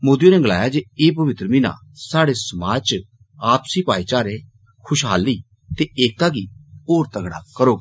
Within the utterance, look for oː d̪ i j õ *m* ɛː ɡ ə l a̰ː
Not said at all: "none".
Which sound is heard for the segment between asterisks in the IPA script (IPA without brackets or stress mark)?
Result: n